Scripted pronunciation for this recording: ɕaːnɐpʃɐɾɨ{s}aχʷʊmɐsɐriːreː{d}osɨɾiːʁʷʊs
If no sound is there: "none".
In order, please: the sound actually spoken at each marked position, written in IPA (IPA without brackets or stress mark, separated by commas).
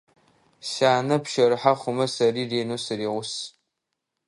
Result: ħ, n